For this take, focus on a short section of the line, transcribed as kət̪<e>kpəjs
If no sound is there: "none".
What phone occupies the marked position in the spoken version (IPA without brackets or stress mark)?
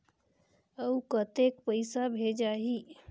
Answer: e